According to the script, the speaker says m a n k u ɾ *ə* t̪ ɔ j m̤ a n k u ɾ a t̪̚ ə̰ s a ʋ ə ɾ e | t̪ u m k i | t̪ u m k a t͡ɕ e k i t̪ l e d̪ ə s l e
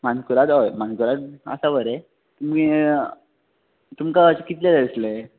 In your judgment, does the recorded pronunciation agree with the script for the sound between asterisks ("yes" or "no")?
no